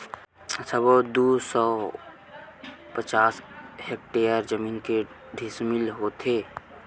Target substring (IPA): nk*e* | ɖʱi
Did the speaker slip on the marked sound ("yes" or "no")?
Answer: no